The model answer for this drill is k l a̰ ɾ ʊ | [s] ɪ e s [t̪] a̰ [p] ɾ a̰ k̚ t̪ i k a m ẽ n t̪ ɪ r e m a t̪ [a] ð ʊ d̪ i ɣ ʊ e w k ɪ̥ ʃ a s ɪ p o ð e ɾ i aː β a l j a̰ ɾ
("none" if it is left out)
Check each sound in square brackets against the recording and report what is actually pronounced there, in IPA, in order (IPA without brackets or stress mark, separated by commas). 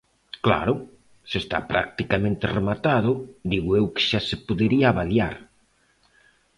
s, t̪, p, a